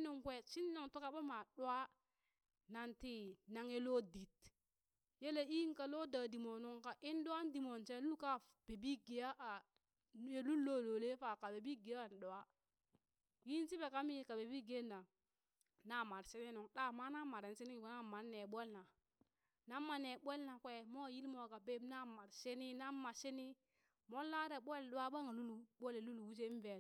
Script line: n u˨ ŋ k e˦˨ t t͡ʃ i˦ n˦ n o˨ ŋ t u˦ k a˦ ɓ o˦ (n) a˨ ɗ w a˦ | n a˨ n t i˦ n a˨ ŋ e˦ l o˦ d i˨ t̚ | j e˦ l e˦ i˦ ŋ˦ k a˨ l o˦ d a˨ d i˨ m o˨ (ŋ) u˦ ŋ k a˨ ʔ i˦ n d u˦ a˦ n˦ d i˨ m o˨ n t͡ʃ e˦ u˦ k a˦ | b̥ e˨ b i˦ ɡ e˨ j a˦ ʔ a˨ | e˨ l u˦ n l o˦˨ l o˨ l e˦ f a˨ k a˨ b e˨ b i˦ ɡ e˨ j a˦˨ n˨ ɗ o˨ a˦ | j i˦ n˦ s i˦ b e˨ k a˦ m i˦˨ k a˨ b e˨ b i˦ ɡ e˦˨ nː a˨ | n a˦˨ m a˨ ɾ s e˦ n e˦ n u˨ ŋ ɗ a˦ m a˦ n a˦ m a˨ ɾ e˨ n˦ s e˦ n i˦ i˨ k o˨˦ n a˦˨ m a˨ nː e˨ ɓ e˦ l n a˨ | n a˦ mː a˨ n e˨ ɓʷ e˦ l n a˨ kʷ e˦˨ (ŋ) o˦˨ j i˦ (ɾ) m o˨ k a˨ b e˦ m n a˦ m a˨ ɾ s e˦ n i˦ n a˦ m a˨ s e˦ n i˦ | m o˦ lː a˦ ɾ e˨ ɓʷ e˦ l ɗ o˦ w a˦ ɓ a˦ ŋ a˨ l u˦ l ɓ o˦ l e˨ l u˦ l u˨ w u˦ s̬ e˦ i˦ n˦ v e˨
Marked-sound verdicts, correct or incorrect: incorrect: m, incorrect: n, incorrect: m, incorrect: l

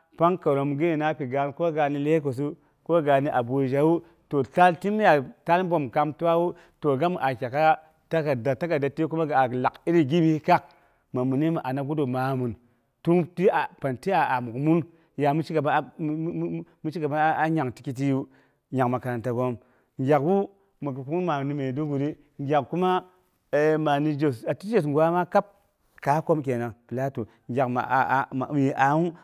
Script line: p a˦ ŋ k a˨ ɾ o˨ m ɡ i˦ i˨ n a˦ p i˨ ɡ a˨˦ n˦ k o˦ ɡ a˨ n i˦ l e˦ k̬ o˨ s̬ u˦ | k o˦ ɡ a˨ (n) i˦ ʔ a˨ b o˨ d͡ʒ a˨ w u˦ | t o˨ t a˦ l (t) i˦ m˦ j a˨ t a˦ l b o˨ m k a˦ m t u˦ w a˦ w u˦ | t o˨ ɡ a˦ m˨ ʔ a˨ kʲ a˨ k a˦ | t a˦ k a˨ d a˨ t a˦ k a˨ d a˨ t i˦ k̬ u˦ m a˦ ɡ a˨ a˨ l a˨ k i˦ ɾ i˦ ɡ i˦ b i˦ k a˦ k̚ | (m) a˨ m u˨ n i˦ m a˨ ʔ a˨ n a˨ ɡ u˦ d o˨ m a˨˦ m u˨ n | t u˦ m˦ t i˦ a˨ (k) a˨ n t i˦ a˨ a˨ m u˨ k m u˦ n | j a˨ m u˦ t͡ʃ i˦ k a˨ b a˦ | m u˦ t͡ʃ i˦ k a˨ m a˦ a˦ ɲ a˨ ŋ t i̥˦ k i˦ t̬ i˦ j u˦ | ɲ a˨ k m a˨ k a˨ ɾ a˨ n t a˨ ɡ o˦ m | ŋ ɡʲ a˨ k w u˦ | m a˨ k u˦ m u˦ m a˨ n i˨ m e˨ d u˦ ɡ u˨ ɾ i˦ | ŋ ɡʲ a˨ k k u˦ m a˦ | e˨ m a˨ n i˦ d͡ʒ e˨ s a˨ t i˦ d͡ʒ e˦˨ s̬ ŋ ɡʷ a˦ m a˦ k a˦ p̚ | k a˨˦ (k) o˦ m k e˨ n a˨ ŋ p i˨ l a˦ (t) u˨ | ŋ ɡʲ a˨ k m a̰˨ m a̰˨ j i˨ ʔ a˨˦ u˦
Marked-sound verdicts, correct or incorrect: correct, correct, correct, incorrect: p, correct, correct

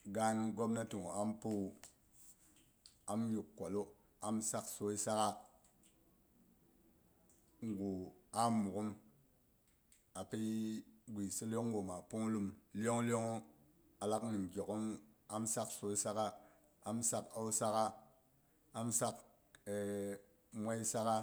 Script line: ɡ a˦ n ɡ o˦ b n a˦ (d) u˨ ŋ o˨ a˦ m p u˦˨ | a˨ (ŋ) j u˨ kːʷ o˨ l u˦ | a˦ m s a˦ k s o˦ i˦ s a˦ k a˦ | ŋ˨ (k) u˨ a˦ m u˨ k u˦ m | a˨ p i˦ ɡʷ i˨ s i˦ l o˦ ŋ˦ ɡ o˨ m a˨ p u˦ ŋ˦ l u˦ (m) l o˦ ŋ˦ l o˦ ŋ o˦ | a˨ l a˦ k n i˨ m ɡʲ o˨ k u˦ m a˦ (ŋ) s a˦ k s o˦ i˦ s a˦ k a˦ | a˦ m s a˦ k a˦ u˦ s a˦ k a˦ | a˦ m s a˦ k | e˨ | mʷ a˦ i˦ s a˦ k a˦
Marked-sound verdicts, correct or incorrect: incorrect: t, incorrect: m, incorrect: ɡ, correct, incorrect: m

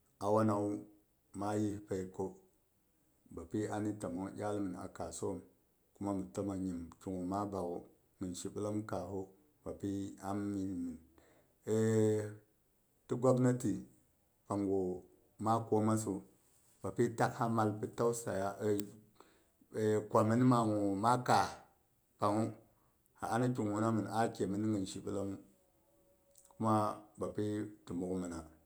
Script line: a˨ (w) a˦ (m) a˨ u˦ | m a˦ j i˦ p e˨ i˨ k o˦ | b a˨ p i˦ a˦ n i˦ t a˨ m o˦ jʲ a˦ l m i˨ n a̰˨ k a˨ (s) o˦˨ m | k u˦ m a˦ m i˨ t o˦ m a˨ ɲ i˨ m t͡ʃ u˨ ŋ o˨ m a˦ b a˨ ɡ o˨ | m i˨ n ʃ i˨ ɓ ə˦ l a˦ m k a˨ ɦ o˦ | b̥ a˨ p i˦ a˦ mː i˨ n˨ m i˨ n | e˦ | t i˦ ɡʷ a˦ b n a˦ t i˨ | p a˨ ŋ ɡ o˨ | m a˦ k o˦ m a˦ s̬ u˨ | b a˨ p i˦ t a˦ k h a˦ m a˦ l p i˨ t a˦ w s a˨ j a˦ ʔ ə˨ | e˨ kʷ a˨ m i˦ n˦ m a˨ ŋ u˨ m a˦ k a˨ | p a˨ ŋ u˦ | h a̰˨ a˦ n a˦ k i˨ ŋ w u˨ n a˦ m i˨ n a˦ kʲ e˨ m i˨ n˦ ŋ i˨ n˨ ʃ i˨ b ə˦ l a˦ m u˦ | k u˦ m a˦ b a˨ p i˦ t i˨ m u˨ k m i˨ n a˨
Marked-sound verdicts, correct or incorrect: correct, incorrect: n, correct

